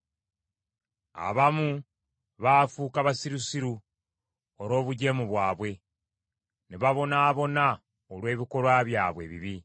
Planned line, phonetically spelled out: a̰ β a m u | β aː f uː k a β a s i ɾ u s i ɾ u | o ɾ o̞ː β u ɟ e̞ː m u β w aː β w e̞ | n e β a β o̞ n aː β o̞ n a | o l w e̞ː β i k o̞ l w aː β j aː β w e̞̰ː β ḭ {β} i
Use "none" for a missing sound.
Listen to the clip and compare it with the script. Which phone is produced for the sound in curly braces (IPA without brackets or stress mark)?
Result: β